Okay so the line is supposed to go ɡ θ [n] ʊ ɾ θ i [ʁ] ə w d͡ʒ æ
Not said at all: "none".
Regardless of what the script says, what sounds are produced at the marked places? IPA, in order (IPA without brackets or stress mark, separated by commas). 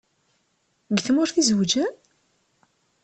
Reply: m, z